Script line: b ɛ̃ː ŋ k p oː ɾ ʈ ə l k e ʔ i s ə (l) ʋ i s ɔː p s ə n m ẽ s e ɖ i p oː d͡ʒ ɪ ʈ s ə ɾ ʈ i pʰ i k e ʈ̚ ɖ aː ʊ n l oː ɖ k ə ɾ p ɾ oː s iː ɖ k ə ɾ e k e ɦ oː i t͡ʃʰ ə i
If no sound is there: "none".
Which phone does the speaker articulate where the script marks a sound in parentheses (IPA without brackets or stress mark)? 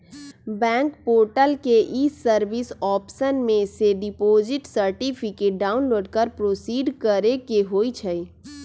ɾ